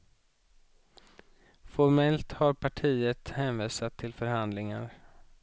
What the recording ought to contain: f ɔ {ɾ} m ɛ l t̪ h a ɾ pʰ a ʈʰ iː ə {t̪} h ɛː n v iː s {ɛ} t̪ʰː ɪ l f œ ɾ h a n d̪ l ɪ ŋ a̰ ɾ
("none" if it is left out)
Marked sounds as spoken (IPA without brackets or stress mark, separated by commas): ɾ, t̪, a